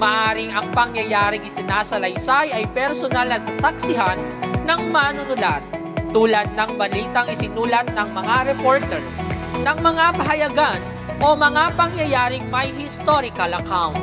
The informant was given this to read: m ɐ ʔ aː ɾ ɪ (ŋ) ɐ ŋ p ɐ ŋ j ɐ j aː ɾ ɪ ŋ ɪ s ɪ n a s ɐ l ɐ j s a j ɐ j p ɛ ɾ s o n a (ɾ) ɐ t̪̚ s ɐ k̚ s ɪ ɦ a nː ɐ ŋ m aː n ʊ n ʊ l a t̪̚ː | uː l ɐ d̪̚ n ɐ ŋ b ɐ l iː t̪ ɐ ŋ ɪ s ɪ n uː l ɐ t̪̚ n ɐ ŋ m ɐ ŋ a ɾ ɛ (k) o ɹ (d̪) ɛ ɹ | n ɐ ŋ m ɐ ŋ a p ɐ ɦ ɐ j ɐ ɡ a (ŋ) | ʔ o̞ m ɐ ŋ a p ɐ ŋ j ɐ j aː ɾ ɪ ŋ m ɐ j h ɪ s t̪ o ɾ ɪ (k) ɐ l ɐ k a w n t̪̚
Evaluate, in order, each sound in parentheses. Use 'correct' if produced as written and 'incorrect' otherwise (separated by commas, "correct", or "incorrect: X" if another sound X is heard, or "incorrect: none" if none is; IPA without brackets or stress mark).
correct, incorrect: l, incorrect: p, incorrect: t̪, incorrect: n, correct